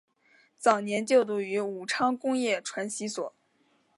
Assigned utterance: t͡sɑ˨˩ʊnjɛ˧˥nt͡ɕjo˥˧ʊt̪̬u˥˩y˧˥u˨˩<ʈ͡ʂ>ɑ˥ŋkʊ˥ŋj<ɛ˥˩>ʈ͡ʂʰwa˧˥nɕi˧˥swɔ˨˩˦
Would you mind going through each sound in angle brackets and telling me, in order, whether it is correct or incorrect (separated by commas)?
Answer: incorrect, correct